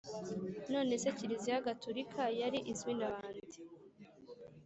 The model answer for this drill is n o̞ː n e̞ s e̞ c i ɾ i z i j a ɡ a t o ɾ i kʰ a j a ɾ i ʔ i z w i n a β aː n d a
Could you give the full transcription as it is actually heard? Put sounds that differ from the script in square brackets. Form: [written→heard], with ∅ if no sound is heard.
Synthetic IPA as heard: n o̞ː n e̞ s e̞ c i ɾ i z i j a ɡ a t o ɾ i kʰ a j a ɾ i ʔ i z w i n a β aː n d [a→i]